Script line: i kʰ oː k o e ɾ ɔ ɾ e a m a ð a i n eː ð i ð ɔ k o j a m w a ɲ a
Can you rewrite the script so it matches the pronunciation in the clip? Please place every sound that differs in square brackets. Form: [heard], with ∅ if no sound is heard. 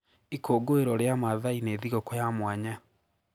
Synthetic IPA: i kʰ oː [ɡ] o e ɾ ɔ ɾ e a m a ð a i n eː ð i [ɣ] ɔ k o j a m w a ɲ a